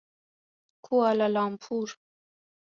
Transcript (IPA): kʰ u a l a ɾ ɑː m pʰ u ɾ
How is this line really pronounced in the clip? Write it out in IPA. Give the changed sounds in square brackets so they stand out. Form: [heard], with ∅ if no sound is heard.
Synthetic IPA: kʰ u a l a [l] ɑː m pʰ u ɾ